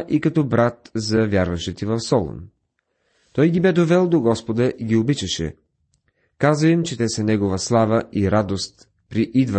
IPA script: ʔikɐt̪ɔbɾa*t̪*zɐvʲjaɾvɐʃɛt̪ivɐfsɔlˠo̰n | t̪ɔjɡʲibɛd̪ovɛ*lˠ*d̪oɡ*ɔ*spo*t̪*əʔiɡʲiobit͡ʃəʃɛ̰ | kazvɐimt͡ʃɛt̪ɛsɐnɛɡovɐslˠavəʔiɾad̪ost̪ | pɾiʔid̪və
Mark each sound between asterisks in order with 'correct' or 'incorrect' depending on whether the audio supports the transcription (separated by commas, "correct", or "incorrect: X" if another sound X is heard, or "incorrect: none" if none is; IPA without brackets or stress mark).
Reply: correct, correct, correct, incorrect: d̪